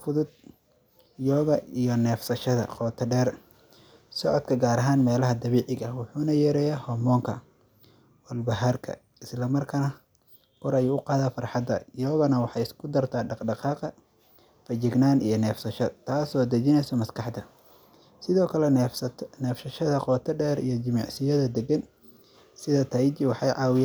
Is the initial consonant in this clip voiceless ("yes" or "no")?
yes